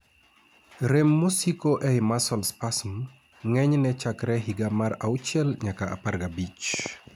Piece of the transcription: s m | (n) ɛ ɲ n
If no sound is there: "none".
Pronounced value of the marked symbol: ŋ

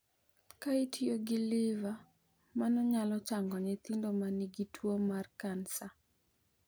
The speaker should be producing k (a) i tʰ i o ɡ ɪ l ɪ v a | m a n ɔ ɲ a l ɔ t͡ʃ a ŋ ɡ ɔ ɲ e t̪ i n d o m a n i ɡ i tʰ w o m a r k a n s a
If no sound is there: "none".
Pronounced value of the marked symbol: a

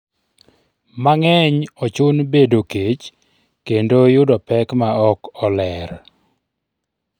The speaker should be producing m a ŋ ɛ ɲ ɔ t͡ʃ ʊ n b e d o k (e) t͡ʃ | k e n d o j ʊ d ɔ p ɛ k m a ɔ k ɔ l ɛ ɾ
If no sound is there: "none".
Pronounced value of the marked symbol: e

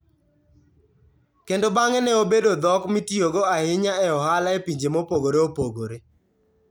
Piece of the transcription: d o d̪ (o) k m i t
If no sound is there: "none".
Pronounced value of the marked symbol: ɔ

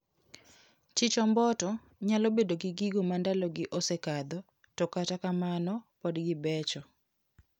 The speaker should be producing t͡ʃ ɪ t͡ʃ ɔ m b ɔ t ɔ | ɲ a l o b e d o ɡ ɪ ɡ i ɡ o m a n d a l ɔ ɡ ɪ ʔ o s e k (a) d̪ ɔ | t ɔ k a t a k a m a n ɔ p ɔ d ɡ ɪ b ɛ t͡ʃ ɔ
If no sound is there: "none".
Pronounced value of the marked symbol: a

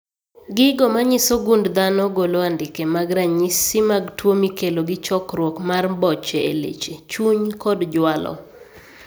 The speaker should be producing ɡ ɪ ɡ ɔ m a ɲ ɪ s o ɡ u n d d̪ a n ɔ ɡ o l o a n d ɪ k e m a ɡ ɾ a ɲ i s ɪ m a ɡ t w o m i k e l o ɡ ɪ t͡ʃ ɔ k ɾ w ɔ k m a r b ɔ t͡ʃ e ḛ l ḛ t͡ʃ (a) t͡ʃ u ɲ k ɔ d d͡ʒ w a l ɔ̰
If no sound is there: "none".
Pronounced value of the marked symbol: e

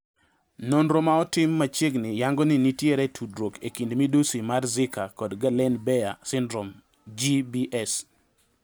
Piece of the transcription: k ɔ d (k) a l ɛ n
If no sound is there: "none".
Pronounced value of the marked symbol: ɡ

